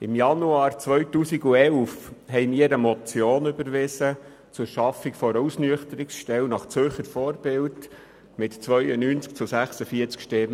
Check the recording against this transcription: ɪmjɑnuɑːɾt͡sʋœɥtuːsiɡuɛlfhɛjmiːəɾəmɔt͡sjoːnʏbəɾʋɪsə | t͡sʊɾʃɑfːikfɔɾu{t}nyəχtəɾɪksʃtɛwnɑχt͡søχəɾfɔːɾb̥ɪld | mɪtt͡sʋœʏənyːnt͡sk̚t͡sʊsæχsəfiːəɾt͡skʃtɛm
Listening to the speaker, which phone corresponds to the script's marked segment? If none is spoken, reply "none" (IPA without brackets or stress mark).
s